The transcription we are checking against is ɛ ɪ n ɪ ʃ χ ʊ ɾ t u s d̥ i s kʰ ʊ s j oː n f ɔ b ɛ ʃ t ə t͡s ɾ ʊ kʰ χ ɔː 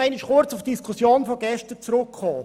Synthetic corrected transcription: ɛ ɪ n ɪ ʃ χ ʊ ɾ t͡s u f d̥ i s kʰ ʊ s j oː n f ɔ ɡ ɛ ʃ t ə t͡s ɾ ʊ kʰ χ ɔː

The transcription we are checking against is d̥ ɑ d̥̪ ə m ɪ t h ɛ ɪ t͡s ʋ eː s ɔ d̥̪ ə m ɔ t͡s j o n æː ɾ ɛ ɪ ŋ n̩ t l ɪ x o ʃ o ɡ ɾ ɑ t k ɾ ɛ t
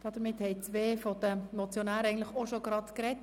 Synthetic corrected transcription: d̥ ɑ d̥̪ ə m ɪ t h ɛ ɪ t͡s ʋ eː f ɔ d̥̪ ə m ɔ t͡s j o n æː ɾ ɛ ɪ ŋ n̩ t l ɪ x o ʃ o ɡ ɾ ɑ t k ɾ ɛ t

